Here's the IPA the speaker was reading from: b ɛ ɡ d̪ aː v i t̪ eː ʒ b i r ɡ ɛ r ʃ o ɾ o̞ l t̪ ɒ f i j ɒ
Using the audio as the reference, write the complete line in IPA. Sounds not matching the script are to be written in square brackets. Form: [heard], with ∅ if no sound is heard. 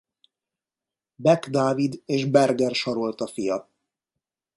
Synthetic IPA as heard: b ɛ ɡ d̪ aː v i [d̪] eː ʒ b [ɛ] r ɡ ɛ r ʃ [ɒ] ɾ o̞ l t̪ ɒ f i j ɒ